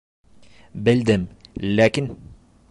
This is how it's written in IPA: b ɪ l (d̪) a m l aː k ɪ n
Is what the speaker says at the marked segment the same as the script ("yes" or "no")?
yes